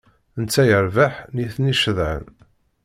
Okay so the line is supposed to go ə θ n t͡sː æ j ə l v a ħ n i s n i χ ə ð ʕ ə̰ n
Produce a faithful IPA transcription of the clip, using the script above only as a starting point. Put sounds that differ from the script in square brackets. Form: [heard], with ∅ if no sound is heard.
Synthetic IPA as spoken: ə [∅] n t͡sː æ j ə [ɾ] v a ħ n i [θ] n i [ʃ] ə ð ʕ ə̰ n